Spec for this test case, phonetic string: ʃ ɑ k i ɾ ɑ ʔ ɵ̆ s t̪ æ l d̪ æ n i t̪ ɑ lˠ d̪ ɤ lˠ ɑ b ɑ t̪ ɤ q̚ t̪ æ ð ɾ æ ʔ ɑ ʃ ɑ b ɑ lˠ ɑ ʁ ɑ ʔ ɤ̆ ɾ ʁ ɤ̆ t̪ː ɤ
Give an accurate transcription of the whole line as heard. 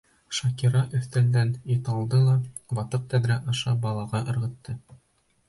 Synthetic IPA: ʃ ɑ k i ɾ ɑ ʔ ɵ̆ θ t̪ æ l d̪ æ n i t̪ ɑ lˠ d̪ ɤ lˠ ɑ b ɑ t̪ ɤ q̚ t̪ æ ð ɾ æ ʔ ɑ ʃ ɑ b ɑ lˠ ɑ ʁ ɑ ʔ ɤ̆ ɾ ʁ ɤ̆ t̪ː ɤ